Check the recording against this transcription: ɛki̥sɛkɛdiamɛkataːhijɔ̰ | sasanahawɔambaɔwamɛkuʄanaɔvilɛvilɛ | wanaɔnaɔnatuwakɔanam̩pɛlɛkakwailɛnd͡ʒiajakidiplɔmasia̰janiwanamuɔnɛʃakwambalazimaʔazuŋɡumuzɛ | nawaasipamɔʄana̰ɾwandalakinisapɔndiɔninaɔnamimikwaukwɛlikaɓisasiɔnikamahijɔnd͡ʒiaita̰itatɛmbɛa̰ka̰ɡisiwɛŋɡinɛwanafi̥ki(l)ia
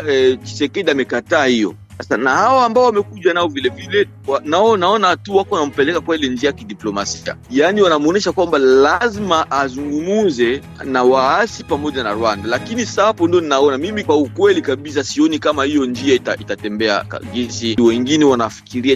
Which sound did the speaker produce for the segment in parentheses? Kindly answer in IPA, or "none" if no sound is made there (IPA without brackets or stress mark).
ɾ